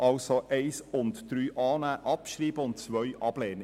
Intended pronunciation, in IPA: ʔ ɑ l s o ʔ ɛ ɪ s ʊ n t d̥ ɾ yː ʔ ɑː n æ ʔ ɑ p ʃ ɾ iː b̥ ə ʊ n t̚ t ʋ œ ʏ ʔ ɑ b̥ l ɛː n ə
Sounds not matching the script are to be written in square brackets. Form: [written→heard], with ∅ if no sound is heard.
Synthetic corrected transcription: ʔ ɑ l s o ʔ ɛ ɪ s ʊ n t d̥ ɾ yː ʔ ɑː n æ ʔ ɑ p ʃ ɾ iː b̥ ə ʊ n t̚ [t→t͡s] ʋ œ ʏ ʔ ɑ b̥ l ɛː n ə